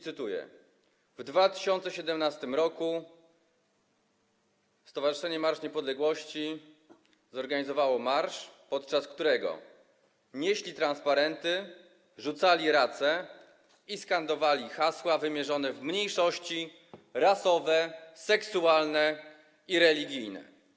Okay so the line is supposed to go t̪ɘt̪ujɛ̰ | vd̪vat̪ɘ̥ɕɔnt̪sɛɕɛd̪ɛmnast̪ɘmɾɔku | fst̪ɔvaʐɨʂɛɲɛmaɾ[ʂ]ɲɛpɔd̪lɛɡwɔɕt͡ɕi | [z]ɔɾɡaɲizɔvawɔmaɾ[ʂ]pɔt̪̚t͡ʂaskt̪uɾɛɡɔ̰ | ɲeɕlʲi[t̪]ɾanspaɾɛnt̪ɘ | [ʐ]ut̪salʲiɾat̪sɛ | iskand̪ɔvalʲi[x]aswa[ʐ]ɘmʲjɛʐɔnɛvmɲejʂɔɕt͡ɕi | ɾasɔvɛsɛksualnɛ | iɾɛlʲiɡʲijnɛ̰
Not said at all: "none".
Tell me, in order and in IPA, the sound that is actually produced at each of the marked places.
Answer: ʂ, z, ʂ, t̪, ʐ, x, v

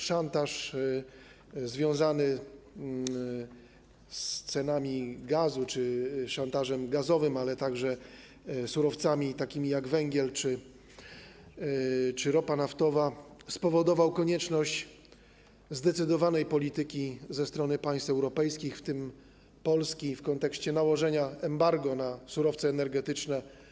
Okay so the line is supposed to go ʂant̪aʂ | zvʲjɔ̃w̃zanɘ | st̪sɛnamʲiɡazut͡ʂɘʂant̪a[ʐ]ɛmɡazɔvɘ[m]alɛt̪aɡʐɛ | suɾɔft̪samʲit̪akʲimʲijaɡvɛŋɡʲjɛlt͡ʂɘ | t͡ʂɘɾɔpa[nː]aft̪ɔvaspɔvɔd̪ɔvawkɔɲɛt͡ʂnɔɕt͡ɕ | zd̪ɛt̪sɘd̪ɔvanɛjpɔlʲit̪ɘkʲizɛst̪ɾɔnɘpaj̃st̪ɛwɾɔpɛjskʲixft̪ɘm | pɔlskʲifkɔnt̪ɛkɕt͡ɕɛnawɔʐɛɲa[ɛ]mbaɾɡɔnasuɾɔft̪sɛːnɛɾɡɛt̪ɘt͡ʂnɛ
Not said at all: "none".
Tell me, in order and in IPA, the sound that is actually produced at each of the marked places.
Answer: ʐ, m, n, ɛ

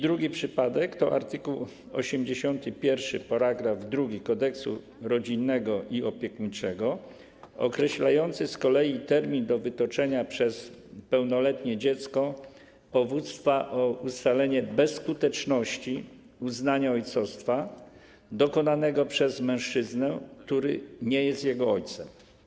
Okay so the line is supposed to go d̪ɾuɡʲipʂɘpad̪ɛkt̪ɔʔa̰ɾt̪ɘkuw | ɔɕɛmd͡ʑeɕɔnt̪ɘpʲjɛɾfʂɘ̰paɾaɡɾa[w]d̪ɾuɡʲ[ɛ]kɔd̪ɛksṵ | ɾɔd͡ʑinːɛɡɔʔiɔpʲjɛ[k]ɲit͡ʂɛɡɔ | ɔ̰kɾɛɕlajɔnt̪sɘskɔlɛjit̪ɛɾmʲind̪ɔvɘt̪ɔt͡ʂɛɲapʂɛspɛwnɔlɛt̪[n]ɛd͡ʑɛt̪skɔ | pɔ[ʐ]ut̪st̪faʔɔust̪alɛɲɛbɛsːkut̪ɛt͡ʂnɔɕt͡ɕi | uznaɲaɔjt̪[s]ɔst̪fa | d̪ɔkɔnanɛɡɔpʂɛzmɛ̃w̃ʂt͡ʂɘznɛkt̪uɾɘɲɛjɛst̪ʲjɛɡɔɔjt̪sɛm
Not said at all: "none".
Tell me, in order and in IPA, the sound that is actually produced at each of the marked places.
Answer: v, i, k, ɲ, v, s

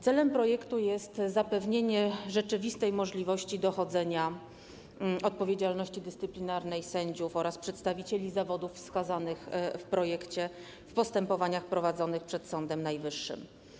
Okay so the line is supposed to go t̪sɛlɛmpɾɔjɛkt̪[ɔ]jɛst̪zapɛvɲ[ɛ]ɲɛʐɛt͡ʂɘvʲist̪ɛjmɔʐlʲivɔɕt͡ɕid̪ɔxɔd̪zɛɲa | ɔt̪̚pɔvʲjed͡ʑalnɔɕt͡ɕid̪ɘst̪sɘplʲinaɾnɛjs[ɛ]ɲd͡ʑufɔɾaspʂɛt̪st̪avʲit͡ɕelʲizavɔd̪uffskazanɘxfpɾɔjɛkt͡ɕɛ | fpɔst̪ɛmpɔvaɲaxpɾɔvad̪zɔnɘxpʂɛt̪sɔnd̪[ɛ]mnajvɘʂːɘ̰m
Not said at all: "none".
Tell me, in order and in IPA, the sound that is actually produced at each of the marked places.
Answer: u, e, ɛ, ɛ

